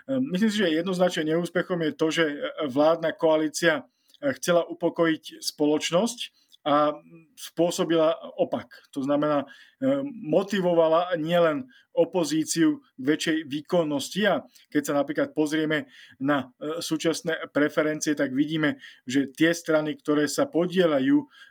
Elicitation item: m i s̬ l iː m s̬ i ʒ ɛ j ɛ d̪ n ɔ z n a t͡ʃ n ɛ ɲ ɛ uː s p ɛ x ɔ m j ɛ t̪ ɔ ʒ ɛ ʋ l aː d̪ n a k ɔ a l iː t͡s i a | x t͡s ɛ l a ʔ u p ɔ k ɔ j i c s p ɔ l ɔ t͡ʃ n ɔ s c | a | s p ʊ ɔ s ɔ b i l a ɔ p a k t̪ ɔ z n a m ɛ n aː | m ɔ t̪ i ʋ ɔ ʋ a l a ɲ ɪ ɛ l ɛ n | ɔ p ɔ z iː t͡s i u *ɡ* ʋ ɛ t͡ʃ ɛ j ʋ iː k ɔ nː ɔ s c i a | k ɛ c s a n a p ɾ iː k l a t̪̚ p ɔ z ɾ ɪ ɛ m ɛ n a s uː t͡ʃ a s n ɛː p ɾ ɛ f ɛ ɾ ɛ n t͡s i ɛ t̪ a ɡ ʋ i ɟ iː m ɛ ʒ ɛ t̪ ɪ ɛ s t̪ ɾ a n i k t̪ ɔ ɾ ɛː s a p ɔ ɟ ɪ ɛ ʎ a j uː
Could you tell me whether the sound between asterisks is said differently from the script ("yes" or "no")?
no